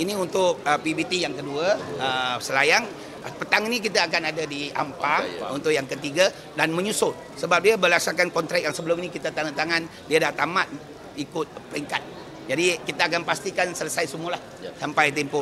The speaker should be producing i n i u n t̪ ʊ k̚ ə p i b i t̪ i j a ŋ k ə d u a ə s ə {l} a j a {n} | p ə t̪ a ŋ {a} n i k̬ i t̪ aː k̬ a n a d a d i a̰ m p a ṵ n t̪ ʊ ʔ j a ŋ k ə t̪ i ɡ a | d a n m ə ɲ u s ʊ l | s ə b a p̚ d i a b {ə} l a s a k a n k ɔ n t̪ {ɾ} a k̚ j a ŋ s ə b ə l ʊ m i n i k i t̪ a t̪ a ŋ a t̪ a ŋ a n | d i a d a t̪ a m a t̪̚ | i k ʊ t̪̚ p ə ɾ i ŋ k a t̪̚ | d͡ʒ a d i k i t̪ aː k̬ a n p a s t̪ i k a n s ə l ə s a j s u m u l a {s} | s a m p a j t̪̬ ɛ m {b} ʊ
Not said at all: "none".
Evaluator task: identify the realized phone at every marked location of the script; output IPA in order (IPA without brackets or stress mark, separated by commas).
l, ŋ, i, ə, ɾ, h, p